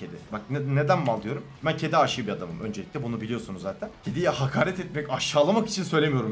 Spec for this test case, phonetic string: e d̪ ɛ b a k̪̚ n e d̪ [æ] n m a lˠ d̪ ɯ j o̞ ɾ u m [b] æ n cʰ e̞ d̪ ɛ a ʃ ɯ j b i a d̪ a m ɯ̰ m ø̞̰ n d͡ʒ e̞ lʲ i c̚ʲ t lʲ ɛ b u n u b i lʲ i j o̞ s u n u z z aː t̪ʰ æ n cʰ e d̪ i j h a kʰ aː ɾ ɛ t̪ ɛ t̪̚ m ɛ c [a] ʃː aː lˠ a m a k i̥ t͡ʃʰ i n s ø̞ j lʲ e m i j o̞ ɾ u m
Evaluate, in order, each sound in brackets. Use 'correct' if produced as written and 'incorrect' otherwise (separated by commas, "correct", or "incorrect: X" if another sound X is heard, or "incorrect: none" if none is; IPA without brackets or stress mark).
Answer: correct, correct, correct